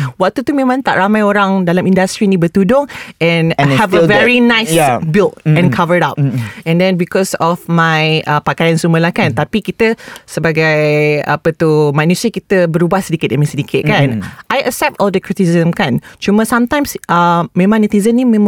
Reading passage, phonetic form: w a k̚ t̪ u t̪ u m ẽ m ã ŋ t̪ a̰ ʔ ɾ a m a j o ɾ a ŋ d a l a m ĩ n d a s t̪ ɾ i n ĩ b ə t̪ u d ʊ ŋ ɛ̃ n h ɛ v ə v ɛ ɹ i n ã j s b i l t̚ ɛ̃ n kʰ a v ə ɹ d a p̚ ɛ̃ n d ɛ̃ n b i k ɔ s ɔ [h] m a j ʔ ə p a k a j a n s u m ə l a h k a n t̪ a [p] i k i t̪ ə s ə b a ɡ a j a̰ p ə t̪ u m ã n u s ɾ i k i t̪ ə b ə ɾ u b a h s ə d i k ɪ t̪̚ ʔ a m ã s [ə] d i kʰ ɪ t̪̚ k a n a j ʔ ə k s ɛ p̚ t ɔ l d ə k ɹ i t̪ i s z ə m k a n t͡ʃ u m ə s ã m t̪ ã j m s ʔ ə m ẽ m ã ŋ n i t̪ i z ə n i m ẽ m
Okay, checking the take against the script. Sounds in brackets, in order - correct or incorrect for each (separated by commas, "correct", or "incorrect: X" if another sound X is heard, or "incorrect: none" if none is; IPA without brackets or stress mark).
incorrect: f, correct, correct